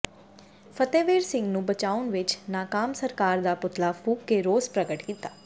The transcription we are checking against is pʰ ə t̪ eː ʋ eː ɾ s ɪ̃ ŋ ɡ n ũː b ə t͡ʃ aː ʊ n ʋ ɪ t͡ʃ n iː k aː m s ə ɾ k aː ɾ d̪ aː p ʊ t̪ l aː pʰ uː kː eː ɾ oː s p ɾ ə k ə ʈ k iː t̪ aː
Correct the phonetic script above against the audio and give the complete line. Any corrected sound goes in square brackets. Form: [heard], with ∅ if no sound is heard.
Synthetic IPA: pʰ ə t̪ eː ʋ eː ɾ s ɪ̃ ŋ ɡ n ũː b ə t͡ʃ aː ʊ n ʋ ɪ t͡ʃ n [aː] k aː m s ə ɾ k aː ɾ d̪ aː p ʊ t̪ l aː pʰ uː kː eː ɾ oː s p ɾ ə [ɡ] ə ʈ k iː t̪ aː